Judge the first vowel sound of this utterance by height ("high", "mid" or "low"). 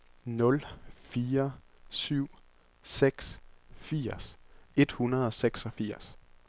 mid